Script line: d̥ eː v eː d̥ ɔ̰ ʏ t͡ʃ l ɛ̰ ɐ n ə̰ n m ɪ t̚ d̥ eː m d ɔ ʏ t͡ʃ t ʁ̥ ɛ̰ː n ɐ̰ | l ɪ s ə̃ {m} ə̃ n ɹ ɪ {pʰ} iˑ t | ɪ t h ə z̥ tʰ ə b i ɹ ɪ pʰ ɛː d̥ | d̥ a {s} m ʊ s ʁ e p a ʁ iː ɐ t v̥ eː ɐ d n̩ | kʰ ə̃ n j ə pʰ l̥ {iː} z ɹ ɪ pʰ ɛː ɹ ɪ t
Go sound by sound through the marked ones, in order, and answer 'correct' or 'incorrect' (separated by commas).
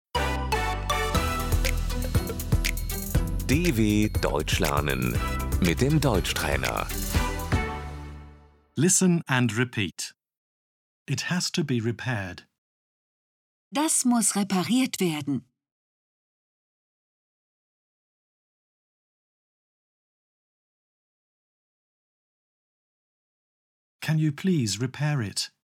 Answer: incorrect, correct, correct, correct